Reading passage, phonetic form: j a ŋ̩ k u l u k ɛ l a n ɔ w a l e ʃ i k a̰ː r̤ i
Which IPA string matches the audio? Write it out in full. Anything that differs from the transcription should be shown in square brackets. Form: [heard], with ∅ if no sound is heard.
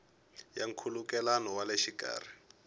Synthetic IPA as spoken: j a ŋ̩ [kʰ] u l u k ɛ l a n ɔ w a l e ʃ i k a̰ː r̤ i

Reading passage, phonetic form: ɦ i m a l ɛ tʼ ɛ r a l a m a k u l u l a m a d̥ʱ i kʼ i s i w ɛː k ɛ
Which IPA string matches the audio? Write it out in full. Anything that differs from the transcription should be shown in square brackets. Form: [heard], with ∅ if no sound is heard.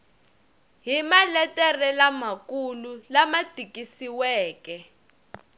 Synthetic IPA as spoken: ɦ i m a l ɛ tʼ ɛ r [ɛ] l a m a k u l u l a m a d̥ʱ i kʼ i s i w ɛː k ɛ

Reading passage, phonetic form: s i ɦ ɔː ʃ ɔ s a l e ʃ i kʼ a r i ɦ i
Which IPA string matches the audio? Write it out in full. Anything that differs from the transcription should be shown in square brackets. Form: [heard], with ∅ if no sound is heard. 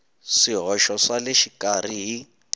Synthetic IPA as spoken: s i ɦ [ɔ] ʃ ɔ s a l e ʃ i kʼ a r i ɦ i

